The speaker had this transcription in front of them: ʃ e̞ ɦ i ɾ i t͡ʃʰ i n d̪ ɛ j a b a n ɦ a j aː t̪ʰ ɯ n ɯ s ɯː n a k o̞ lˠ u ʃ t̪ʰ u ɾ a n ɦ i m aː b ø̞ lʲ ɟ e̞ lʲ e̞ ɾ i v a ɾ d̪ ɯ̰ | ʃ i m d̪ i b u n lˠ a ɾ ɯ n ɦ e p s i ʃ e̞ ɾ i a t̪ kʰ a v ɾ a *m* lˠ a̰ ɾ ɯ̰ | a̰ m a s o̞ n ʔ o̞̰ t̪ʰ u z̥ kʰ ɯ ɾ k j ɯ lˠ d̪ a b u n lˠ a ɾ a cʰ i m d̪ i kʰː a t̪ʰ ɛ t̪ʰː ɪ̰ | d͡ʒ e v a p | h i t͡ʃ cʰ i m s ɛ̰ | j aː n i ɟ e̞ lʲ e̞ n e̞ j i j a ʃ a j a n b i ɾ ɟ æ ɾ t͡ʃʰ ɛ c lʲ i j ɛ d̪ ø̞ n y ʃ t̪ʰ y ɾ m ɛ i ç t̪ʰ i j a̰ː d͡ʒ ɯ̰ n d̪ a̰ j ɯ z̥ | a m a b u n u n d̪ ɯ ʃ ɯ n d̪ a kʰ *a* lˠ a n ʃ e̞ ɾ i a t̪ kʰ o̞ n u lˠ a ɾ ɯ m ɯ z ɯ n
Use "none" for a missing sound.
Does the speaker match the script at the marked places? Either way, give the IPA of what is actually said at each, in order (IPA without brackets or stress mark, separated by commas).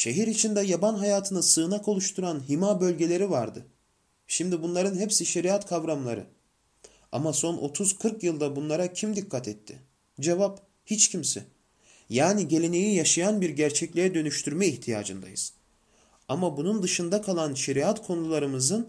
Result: m, a